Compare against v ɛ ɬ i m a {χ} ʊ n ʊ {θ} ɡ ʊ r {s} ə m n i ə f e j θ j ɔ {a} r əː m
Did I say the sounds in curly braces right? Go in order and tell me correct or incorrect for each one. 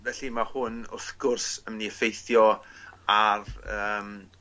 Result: incorrect: h, correct, correct, correct

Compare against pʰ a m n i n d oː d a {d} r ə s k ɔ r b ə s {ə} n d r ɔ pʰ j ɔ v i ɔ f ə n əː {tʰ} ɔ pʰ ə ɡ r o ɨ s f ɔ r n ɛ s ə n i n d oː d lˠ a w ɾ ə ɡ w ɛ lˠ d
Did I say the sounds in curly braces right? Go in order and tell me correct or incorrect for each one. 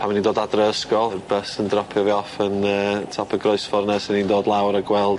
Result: correct, correct, correct

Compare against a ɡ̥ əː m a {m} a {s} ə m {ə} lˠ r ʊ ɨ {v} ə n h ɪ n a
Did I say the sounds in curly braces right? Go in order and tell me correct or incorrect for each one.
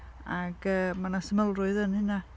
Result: incorrect: n, correct, correct, incorrect: ð

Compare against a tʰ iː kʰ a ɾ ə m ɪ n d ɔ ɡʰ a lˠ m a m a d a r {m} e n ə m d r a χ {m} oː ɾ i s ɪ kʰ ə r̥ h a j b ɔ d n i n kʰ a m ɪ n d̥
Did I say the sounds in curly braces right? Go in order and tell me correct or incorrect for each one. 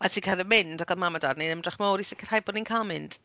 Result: incorrect: n, correct

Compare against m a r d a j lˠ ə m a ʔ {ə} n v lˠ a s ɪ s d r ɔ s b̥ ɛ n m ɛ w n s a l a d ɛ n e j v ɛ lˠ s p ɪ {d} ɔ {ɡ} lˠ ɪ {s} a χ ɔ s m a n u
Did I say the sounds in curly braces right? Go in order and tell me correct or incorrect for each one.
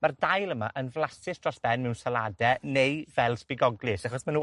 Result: correct, incorrect: ɡ, correct, correct

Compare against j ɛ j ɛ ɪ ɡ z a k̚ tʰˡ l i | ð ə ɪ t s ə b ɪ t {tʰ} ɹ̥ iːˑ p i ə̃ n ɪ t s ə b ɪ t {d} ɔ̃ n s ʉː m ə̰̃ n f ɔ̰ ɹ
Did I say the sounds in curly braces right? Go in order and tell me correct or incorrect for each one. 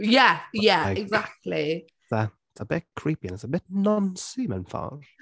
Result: incorrect: kʰ, incorrect: n

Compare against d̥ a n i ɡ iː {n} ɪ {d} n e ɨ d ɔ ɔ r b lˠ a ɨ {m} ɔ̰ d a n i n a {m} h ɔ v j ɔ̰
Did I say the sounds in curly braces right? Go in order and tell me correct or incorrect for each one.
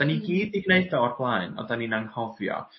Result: incorrect: d, incorrect: ɡ, incorrect: n, incorrect: n

